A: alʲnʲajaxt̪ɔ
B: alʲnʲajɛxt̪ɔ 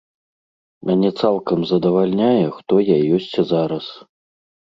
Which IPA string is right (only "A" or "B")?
B